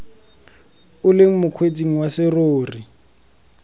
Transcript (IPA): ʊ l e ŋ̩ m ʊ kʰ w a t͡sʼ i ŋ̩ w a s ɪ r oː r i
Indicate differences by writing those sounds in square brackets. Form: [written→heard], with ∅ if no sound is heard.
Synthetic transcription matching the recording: ʊ l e ŋ̩ m ʊ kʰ w [a→e] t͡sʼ i ŋ̩ w a s ɪ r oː r i